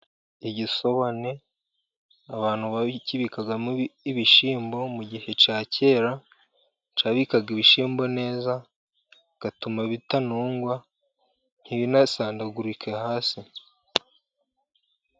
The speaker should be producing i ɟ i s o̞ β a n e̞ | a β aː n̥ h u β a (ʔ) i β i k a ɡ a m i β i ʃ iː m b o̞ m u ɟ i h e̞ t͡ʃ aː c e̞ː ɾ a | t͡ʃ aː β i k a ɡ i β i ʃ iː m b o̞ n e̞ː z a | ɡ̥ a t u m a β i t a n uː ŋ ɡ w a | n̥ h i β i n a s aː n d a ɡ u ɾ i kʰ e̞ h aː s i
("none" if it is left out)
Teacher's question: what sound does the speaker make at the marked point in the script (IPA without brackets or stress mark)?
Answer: c